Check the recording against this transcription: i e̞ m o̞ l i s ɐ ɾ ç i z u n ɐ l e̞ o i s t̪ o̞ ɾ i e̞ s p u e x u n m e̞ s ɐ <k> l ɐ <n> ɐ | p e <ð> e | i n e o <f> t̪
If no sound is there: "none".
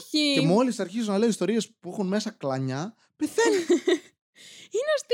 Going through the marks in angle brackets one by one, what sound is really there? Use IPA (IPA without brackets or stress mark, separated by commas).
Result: k, ɲ, θ, s